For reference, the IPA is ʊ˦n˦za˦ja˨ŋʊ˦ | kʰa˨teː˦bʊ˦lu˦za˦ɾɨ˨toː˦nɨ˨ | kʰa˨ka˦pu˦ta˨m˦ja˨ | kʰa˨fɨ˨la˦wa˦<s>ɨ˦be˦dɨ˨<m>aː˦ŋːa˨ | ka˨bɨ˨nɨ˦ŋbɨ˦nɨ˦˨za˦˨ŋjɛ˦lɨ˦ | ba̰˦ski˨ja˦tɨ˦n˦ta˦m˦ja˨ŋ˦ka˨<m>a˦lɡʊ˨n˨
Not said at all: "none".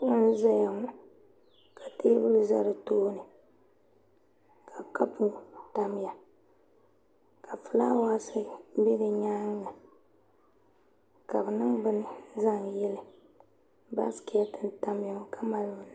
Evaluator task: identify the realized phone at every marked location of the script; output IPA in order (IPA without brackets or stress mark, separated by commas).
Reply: s, ɲ, m